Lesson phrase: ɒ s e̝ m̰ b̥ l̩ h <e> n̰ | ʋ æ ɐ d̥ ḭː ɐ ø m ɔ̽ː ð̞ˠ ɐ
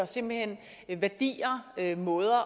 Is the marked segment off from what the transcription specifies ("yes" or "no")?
no